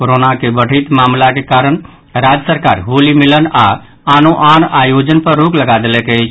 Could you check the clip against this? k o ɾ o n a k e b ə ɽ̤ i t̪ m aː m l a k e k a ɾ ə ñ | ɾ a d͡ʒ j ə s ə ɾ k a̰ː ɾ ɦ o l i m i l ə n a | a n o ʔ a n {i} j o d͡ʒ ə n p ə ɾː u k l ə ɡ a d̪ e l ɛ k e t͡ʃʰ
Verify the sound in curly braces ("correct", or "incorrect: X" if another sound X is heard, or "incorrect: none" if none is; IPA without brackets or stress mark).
incorrect: a